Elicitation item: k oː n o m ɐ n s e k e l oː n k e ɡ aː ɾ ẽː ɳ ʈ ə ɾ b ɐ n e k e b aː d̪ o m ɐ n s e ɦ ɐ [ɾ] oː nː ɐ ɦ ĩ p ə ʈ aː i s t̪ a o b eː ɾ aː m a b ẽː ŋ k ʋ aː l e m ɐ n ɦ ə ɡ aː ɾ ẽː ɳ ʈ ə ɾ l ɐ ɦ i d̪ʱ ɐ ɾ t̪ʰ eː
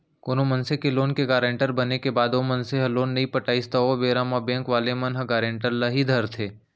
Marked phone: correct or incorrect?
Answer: incorrect: l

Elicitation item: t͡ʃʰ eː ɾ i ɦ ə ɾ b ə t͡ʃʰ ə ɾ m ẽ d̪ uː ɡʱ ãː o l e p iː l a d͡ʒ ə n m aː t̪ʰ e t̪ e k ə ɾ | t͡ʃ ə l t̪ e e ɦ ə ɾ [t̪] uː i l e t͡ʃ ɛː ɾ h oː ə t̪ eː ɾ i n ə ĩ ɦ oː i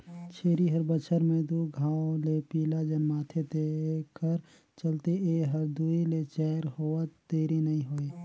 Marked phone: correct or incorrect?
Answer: incorrect: d̪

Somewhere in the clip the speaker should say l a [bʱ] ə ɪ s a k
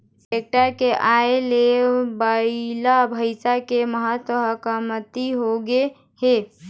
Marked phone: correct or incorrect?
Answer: correct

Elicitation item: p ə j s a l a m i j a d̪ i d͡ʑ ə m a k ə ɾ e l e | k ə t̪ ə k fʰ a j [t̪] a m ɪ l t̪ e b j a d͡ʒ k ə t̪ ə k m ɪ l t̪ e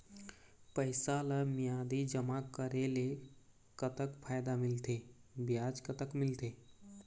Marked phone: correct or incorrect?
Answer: incorrect: d̪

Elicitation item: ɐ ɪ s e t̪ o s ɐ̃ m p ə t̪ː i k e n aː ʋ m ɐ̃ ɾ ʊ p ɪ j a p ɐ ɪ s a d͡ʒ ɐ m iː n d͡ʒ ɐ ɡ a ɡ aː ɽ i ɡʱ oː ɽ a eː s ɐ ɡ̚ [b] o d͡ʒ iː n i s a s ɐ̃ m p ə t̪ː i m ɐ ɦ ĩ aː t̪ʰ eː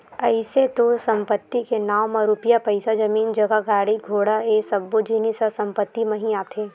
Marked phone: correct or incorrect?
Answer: correct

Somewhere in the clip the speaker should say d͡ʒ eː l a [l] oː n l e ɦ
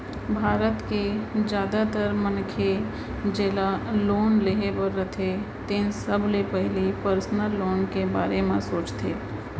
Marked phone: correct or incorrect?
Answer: correct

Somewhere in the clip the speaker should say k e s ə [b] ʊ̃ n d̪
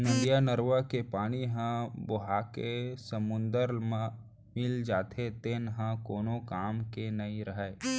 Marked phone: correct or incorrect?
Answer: incorrect: m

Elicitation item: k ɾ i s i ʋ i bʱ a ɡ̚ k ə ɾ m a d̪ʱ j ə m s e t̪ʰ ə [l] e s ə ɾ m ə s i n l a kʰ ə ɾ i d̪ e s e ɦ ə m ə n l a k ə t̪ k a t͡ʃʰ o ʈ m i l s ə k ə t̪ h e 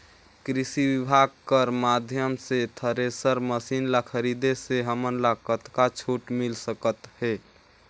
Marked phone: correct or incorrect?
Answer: incorrect: ɾ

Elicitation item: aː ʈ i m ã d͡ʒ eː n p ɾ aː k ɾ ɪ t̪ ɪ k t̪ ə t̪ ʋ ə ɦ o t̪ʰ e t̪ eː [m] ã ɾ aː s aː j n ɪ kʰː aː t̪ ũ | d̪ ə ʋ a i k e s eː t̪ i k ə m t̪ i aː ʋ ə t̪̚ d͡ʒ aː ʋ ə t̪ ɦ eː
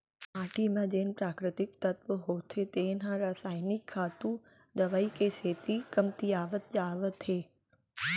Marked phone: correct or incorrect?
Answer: incorrect: n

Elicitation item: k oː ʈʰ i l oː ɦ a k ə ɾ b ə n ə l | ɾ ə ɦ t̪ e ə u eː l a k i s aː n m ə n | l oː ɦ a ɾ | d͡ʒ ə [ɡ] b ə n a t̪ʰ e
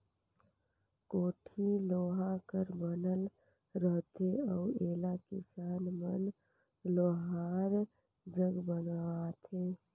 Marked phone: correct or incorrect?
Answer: correct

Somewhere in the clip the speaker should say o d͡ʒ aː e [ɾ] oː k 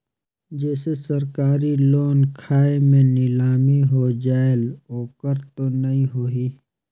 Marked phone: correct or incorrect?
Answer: incorrect: l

